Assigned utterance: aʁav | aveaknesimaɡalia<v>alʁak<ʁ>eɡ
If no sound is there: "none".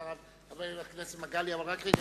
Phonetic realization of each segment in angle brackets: v, ʁ

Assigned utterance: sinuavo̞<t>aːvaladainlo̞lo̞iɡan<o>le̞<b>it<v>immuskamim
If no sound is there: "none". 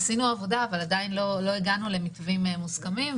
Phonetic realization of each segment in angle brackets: d, u, m, v

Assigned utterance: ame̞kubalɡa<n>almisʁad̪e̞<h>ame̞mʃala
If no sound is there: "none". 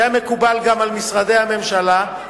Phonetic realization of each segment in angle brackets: m, h

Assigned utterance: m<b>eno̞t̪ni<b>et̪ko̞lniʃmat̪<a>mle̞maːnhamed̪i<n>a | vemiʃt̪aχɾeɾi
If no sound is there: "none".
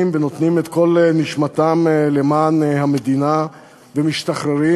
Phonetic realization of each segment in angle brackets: v, m, a, n

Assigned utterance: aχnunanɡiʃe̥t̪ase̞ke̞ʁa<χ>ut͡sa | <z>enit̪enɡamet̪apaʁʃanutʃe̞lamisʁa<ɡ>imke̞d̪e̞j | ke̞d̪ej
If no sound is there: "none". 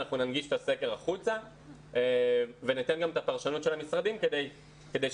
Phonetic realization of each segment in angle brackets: χ, v, d

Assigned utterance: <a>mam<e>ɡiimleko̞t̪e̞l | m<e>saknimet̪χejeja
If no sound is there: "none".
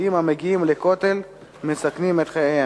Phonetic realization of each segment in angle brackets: i, e, e

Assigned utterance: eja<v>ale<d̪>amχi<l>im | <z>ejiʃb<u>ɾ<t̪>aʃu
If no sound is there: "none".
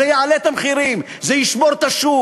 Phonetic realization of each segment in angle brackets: ʕ, t̪, ɾ, z, o, t̪

